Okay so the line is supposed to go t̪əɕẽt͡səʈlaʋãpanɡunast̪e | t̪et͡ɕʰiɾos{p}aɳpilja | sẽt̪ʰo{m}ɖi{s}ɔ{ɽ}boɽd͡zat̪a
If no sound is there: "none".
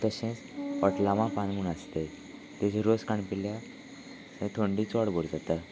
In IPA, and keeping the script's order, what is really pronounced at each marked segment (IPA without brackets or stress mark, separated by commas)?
k, ɳ, t͡s, ɽ